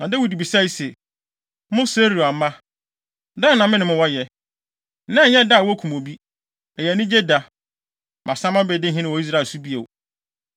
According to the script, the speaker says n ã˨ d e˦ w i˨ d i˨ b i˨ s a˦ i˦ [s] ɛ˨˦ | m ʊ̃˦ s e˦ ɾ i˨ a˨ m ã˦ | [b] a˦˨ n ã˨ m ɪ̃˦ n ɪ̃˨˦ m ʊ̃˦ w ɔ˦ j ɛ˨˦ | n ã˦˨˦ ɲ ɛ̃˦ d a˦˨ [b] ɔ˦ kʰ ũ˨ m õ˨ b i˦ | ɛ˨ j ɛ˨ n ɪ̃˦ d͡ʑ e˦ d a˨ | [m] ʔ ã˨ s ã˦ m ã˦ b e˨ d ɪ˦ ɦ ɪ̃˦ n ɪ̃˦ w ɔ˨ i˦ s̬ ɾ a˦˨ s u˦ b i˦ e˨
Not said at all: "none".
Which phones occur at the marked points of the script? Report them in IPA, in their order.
s, d, w, m

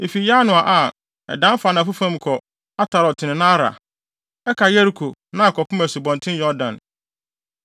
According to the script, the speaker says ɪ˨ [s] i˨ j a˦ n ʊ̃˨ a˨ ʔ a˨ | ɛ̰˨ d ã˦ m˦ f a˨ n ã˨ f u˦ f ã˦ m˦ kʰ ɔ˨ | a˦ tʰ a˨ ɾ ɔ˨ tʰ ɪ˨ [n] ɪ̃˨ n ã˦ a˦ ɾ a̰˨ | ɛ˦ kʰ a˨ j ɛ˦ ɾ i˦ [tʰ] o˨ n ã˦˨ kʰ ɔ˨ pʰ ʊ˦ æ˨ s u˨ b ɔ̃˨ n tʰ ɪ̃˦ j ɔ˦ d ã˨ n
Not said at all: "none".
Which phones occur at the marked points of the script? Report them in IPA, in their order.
f, n, kʰ

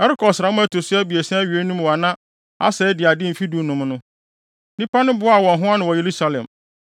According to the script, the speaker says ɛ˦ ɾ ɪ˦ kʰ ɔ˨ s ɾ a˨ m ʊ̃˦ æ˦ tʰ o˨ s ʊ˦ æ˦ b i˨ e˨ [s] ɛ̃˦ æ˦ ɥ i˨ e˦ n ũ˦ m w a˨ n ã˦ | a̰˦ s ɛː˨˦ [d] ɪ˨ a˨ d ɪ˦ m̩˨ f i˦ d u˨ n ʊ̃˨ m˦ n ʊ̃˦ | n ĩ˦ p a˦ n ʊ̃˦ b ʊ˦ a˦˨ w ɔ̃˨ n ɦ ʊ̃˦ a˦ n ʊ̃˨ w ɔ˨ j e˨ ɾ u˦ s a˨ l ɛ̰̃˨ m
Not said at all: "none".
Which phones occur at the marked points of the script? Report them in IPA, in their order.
s, d

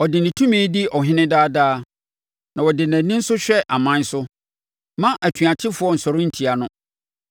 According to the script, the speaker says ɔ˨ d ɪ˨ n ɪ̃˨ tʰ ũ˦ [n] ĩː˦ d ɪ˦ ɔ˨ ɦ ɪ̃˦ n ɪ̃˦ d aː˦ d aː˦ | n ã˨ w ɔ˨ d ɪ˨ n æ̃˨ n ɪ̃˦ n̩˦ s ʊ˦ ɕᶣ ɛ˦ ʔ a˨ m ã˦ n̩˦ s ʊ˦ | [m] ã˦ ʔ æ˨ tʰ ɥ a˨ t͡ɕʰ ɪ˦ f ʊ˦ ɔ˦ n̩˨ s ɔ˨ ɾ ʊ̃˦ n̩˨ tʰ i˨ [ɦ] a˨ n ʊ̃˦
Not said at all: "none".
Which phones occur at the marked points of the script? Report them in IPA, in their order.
m, m, none

